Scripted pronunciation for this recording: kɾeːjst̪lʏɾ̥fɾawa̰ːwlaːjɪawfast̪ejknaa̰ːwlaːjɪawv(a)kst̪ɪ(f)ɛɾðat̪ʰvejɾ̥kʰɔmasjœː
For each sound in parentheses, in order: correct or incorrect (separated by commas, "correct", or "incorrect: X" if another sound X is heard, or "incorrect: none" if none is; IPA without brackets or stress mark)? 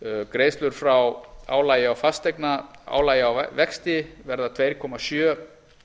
incorrect: ɛ, incorrect: v